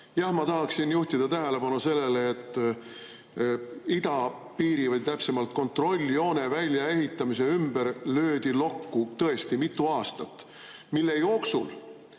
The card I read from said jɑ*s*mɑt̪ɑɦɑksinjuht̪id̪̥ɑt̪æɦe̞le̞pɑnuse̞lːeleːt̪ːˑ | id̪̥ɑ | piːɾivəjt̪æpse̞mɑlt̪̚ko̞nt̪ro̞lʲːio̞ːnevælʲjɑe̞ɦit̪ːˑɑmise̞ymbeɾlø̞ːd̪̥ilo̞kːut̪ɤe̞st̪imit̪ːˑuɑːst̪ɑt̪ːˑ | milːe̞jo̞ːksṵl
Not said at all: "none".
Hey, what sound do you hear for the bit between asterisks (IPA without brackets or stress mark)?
h